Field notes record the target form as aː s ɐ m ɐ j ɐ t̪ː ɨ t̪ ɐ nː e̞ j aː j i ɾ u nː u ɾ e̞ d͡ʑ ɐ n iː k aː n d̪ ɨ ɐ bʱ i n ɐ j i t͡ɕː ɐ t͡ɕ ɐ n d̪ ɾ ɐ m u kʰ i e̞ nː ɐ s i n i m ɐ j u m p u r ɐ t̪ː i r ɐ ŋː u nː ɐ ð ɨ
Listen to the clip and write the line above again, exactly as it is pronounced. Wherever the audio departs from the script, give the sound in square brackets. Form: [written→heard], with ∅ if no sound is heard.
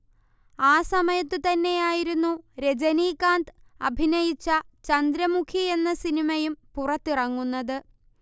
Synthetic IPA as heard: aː s ɐ m ɐ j ɐ t̪ː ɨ t̪ ɐ nː e̞ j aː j i ɾ u nː u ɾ e̞ d͡ʑ ɐ n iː k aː n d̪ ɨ ɐ bʱ i n ɐ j i t͡ɕː ɐ t͡ɕ ɐ n d̪ ɾ ɐ m u kʰ i e̞ nː ɐ s i n i m ɐ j u m p u r ɐ t̪ː i r ɐ ŋː u nː ɐ ð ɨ

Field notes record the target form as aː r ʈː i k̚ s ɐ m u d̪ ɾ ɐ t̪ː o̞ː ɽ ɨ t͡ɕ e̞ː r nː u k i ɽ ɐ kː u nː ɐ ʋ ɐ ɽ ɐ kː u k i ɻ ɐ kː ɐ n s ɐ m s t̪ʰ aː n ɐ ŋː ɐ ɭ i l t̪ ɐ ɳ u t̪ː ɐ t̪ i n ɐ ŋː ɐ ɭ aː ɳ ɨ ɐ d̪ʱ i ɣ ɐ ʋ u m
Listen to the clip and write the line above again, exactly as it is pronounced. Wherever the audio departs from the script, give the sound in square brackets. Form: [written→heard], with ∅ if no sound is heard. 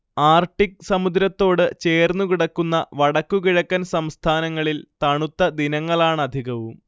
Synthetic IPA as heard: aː r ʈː i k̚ s ɐ m u d̪ ɾ ɐ t̪ː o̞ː ɽ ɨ t͡ɕ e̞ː r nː u k i ɽ ɐ kː u nː ɐ ʋ ɐ ɽ ɐ kː u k i ɻ ɐ kː ɐ n s ɐ m s t̪ʰ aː n ɐ ŋː ɐ ɭ i l t̪ ɐ ɳ u t̪ː ɐ [t̪→d̪] i n ɐ ŋː ɐ ɭ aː ɳ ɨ ɐ d̪ʱ i ɣ ɐ ʋ u m

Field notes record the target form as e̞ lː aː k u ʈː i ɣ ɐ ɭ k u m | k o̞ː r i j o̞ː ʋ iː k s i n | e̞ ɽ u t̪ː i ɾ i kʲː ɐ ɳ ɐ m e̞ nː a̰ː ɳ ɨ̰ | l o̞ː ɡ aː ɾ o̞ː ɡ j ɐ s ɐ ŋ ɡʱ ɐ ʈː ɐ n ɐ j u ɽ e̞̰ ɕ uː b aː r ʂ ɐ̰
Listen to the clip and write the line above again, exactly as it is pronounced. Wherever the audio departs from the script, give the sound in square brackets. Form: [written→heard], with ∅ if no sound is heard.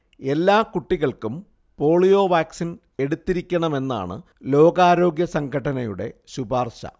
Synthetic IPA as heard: e̞ lː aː k u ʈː i ɣ ɐ ɭ k u m | [k→p] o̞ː [r→ɭ] i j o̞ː ʋ [iː→aː] k s i n | e̞ ɽ u t̪ː i ɾ i kʲː ɐ ɳ ɐ m e̞ nː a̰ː ɳ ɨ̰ | l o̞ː ɡ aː ɾ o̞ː ɡ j ɐ s ɐ ŋ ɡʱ ɐ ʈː ɐ n ɐ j u ɽ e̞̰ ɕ [uː→u] b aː r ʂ ɐ̰

